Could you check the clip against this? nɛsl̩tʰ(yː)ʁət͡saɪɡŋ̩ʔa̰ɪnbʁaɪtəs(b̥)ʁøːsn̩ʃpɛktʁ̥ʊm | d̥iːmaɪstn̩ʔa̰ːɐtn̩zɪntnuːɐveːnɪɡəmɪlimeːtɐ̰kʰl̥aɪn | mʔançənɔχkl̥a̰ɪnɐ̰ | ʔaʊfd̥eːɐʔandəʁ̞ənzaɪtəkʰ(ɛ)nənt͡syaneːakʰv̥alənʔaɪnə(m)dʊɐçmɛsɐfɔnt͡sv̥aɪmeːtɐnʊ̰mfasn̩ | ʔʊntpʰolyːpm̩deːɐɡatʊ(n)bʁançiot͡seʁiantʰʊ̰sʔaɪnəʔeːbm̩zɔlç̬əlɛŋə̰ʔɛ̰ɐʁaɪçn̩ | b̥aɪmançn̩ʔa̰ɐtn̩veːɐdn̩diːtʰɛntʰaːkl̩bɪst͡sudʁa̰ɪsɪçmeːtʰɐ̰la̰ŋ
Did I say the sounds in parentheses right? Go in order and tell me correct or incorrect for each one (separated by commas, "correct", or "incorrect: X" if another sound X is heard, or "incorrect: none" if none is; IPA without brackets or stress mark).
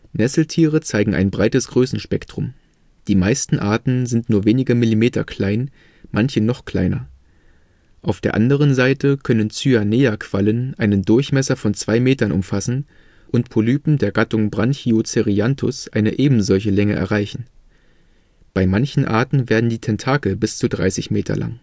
incorrect: iː, incorrect: ɡ̥, incorrect: œ, incorrect: n, incorrect: ŋ